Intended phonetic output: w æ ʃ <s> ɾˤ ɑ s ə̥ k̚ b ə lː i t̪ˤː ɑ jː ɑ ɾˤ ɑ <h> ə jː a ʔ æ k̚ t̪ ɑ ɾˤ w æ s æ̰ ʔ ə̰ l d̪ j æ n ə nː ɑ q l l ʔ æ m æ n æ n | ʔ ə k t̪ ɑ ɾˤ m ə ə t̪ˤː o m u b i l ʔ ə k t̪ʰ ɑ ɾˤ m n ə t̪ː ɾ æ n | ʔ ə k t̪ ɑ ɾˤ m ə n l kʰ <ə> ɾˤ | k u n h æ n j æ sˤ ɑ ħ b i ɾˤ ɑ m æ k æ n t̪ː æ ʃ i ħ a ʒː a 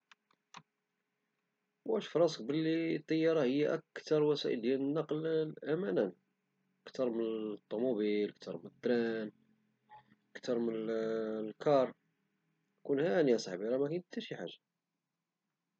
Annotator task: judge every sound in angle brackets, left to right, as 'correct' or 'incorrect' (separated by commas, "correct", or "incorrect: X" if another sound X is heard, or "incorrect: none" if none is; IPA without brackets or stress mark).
incorrect: f, correct, incorrect: ɑ